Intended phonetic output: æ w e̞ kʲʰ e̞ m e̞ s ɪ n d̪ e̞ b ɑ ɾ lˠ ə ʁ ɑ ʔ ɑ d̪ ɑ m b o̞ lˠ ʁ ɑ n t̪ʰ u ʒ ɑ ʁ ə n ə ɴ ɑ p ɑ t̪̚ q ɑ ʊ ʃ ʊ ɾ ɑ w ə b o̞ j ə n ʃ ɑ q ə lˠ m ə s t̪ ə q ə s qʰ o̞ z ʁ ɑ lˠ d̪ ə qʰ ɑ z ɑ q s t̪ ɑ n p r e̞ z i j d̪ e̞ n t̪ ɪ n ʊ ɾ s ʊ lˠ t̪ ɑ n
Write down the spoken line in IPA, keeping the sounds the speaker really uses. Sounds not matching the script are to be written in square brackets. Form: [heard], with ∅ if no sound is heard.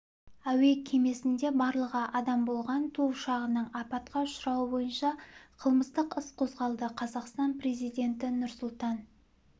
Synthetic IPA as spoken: æ w e̞ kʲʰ e̞ m e̞ s ɪ n d̪ e̞ b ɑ ɾ lˠ ə ʁ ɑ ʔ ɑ d̪ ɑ m b o̞ lˠ ʁ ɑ n t̪ʰ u [ʃ] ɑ ʁ ə n ə ɴ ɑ p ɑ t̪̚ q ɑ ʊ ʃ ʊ ɾ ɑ w ə b o̞ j ə n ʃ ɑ [qʰ] ə lˠ m ə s t̪ ə q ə s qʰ o̞ z ʁ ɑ lˠ d̪ ə qʰ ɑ z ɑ q s t̪ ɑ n p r e̞ z i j d̪ e̞ n t̪ ɪ n ʊ ɾ s ʊ lˠ t̪ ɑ n